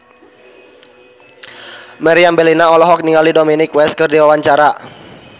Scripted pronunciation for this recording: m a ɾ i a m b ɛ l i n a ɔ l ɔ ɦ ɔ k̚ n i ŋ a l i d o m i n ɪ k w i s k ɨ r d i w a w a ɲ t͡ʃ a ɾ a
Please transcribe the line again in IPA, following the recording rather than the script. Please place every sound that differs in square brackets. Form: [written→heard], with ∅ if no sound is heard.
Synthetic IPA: m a ɾ i a m b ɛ l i n a ɔ l ɔ ɦ ɔ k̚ n i ŋ a l i d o m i n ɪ k w [i→ɛ] s k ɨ r d i w a w a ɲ t͡ʃ a ɾ a